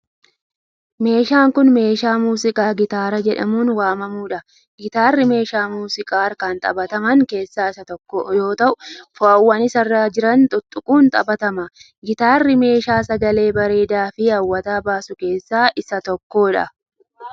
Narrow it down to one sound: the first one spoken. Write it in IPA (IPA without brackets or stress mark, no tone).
m